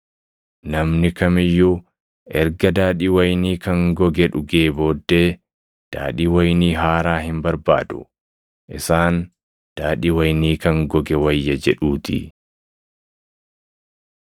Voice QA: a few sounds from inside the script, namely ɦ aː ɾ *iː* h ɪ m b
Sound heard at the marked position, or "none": aː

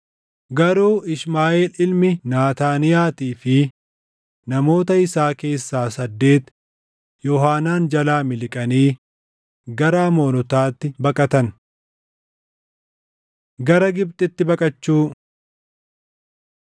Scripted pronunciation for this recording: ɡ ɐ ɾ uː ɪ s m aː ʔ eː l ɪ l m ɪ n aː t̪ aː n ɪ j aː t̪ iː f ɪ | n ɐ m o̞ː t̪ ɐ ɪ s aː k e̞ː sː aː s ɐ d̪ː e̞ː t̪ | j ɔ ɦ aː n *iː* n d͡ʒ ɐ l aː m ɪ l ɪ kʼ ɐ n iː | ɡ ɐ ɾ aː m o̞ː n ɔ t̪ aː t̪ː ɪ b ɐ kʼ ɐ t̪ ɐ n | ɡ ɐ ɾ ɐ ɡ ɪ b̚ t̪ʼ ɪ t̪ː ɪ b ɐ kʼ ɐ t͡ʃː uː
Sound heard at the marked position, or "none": aː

